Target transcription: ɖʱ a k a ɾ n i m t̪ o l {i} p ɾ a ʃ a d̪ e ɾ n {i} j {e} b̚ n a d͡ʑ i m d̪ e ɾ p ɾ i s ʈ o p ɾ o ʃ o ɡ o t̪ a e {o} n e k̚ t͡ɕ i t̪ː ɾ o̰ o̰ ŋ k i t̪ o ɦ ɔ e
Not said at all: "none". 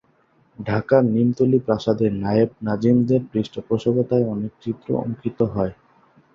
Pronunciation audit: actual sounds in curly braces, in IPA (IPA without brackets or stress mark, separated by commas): i, a, e, ɔ